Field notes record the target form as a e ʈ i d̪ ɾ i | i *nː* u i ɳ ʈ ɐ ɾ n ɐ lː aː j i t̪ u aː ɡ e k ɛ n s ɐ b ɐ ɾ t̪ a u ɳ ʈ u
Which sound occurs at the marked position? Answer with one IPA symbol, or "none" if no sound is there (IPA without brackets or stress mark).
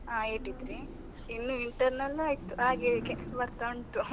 nː